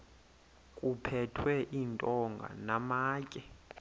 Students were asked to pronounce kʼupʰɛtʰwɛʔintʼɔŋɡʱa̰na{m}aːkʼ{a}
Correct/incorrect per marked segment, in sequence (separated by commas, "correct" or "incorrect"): correct, incorrect